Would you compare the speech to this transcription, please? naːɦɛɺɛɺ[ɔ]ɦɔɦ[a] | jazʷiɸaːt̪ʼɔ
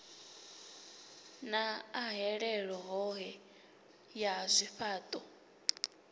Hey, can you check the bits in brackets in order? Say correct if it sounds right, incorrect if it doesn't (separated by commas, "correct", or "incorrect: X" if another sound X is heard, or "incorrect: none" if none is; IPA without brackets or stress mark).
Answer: correct, incorrect: ɛ